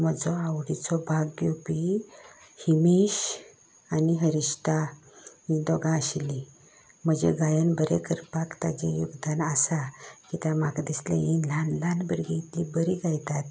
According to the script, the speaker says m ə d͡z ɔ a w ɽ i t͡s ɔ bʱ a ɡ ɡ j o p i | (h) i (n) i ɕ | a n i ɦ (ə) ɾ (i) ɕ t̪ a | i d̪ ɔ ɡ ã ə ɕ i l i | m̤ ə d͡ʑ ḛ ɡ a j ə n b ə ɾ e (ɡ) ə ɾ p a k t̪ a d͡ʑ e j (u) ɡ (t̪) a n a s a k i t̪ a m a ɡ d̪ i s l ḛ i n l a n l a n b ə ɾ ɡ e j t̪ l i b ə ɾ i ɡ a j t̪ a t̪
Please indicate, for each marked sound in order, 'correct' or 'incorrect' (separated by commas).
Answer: correct, incorrect, correct, correct, incorrect, correct, incorrect